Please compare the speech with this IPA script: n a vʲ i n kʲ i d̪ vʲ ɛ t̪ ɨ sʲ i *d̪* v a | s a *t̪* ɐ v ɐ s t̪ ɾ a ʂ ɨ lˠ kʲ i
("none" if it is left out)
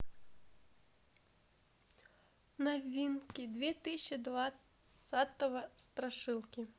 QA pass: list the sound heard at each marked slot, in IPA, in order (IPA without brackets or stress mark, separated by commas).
d̪, t̪